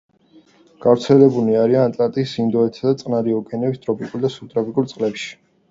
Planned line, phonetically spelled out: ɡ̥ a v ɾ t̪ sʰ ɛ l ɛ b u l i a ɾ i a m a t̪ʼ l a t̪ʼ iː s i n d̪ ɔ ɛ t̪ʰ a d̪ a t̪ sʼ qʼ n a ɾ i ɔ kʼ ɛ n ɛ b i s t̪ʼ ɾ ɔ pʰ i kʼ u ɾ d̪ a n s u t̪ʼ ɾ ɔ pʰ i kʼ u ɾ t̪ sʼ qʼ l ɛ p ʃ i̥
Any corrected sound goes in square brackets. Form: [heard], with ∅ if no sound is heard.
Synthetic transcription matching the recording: ɡ̥ a v ɾ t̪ sʰ ɛ l ɛ b u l i a ɾ i a [n] a t̪ʼ l a t̪ʼ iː s i n d̪ ɔ ɛ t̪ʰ a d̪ a t̪ sʼ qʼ n a ɾ i ɔ kʼ ɛ n ɛ b i s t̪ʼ ɾ ɔ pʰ i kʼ u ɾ d̪ a [∅] s u t̪ʼ ɾ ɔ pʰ i kʼ u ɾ t̪ sʼ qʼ l ɛ p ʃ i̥